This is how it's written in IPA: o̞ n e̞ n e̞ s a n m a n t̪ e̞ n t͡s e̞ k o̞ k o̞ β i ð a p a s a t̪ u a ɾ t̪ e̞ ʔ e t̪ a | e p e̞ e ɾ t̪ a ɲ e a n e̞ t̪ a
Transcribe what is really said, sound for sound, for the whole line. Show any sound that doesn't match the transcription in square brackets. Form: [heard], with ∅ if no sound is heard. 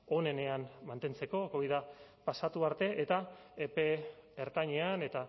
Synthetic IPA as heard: o̞ n e̞ n e̞ [∅] a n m a n t̪ e̞ n t͡s e̞ k o̞ k o̞ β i ð a p a s a t̪ u a ɾ t̪ e̞ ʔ e t̪ a | e p e̞ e ɾ t̪ a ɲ e a n e̞ t̪ a